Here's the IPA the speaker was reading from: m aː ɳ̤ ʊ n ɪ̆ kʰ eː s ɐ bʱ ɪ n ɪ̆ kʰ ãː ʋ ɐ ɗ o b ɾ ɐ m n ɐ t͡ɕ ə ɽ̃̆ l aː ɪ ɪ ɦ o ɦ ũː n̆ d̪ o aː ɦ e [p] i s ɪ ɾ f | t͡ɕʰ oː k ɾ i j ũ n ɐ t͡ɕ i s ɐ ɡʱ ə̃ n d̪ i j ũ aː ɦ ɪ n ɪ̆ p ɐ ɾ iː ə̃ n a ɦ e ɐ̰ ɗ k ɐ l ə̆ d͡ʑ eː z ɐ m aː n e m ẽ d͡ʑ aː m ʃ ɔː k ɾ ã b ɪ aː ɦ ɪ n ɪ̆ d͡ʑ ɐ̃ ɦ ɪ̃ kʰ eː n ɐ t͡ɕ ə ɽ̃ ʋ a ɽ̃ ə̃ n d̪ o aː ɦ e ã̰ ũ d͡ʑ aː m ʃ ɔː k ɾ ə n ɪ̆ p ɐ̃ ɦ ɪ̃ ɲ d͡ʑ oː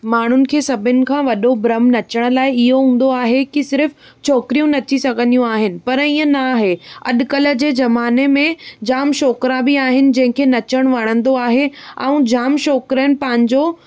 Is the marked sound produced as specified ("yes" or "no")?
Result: no